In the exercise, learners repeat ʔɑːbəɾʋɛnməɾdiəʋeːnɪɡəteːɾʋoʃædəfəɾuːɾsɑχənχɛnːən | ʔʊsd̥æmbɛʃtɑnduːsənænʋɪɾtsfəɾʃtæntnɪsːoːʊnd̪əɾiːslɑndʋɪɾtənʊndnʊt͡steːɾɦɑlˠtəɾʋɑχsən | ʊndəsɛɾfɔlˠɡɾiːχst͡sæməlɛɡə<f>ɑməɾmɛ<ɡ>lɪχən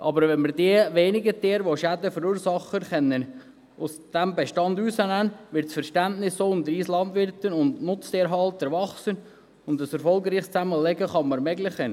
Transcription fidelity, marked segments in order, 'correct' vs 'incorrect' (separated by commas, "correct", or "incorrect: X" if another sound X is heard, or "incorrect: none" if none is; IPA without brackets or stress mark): incorrect: χ, correct